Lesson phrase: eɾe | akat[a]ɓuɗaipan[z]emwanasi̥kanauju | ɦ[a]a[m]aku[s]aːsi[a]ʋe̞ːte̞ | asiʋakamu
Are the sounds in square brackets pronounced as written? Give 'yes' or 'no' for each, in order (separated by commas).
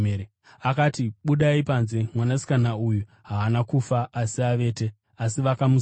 no, yes, yes, no, no, yes